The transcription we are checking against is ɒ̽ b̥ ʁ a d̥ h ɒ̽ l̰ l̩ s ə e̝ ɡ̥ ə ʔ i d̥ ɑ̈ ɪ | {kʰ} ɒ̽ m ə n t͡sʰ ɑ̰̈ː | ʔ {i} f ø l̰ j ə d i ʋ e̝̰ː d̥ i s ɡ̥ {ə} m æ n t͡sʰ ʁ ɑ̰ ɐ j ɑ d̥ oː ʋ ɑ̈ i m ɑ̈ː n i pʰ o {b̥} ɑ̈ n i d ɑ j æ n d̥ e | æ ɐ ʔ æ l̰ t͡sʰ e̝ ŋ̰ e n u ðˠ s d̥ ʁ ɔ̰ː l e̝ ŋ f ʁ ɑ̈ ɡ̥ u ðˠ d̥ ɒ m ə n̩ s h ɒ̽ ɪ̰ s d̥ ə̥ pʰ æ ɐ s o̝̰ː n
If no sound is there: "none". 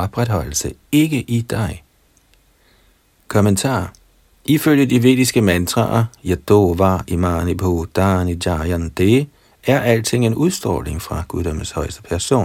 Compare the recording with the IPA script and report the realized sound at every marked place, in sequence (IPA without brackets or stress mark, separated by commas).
kʰ, i, ə, d̥